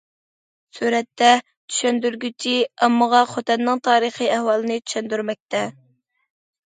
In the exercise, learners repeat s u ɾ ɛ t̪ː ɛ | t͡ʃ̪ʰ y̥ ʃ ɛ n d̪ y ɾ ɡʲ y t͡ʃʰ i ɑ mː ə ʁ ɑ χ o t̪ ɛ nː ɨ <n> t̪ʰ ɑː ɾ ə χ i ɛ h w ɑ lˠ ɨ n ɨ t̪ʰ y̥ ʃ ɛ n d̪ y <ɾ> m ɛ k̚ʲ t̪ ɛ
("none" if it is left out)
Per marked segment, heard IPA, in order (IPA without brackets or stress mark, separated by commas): ŋ, ɾ